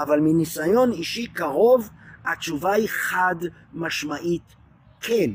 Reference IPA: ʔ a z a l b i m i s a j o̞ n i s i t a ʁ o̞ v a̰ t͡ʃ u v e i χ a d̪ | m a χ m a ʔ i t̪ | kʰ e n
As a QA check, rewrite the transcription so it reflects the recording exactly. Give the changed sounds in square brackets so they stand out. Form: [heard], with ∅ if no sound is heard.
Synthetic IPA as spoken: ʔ a [v] a l [m] i [n] i s a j o̞ n i [ʃ] i [k] a ʁ o̞ v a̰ t͡ʃ u v [a] i χ a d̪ | m a [ʃ] m a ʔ i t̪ | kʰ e n